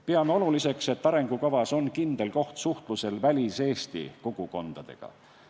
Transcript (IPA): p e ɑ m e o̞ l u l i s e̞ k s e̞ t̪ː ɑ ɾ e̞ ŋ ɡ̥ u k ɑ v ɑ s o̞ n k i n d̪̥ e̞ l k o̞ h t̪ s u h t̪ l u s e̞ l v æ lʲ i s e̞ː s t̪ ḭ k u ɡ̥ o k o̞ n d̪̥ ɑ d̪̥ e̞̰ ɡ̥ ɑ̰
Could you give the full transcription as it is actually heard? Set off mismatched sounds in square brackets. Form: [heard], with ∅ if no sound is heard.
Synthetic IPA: p e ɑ m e o̞ l u l i s e̞ k s e̞ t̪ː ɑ ɾ e̞ ŋ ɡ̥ u k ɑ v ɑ s o̞ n k i n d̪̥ e̞ l k o̞ h t̪ s u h t̪ l u s e̞ l v æ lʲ i s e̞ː s t̪ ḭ k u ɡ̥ [u] k o̞ n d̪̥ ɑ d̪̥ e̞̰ ɡ̥ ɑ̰